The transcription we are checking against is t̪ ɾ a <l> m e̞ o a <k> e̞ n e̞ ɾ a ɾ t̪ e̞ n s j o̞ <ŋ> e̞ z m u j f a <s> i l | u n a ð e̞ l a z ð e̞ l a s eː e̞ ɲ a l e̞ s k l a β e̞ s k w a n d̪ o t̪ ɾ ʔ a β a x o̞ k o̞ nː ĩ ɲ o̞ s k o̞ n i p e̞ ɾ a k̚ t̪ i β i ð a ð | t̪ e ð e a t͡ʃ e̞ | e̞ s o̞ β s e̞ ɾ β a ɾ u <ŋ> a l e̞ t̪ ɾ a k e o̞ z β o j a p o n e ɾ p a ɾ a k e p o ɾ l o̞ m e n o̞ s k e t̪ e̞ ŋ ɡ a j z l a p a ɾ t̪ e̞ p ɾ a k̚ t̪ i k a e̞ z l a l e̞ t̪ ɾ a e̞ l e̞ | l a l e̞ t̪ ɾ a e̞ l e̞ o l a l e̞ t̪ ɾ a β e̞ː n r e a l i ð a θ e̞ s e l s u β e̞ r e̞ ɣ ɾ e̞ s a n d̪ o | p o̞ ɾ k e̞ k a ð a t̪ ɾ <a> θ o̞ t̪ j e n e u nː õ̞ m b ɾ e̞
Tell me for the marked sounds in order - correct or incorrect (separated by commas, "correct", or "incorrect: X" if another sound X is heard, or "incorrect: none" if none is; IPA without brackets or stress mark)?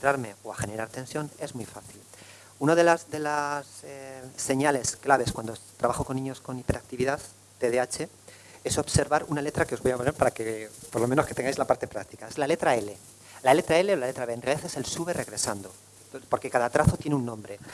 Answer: incorrect: ɾ, incorrect: x, incorrect: n, incorrect: θ, incorrect: n, correct